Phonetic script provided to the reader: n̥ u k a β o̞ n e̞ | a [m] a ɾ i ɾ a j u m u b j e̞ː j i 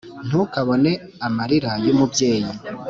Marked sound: correct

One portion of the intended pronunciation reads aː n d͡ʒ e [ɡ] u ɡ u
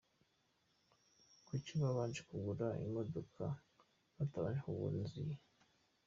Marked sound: incorrect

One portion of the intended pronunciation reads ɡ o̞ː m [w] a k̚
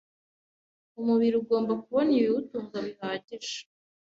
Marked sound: incorrect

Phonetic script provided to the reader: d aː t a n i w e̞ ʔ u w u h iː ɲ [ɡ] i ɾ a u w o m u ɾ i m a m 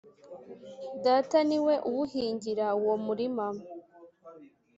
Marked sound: incorrect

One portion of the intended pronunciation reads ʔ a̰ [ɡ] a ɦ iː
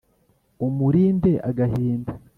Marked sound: correct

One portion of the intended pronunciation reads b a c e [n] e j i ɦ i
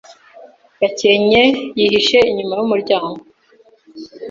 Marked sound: incorrect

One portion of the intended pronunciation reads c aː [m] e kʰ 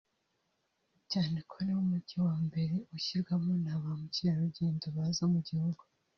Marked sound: incorrect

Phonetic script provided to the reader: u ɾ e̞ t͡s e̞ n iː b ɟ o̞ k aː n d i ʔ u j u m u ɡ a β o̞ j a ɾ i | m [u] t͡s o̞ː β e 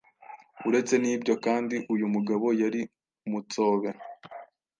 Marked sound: correct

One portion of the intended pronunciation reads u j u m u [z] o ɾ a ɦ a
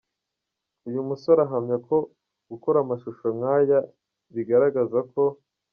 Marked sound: incorrect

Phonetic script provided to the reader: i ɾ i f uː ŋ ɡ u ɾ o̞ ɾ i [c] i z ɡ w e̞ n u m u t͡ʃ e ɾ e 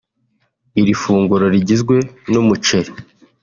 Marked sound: incorrect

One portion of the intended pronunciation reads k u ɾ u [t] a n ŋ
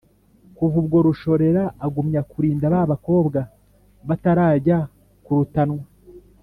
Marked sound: correct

